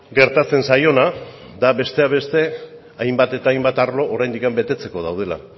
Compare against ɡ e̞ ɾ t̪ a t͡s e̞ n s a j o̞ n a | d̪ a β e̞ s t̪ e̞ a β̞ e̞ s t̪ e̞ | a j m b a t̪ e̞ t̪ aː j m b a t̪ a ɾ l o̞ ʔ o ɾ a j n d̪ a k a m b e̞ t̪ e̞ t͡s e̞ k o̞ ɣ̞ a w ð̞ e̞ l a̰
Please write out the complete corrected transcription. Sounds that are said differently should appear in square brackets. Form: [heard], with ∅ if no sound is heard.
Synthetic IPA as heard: ɡ e̞ ɾ t̪ a t͡s e̞ n s a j o̞ n a | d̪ a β e̞ s t̪ e̞ a β̞ e̞ s t̪ e̞ | a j m b a t̪ e̞ t̪ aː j m b a t̪ a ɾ l o̞ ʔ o ɾ a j n d̪ [i] k a m b e̞ t̪ e̞ t͡s e̞ k o̞ [ð̞] a w ð̞ e̞ l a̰